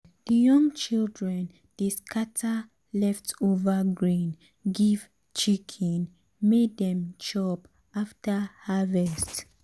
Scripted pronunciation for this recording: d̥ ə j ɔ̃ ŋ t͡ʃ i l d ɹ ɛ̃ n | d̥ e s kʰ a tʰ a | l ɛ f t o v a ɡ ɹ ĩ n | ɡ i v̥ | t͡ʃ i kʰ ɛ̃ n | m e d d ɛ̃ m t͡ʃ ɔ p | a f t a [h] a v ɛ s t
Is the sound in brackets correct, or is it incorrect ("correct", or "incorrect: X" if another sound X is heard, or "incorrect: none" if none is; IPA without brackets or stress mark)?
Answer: correct